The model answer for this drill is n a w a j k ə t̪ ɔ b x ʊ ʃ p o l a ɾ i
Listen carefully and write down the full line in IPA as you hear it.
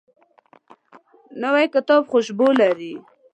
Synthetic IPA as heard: n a w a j k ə t̪ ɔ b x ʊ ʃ b o l a ɾ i